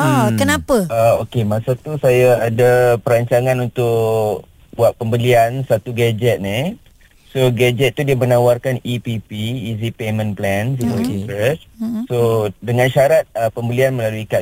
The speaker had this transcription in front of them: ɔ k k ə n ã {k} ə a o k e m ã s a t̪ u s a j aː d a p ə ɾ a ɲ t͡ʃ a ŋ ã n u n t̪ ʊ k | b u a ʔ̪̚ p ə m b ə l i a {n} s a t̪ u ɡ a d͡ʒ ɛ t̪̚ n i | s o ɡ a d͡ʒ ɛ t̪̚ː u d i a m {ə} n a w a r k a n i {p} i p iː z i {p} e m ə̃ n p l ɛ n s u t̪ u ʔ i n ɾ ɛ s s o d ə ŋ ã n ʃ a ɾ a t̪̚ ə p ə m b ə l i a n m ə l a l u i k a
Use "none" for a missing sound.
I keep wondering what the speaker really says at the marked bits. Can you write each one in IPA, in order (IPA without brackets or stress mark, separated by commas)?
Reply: p, n, ə, p, p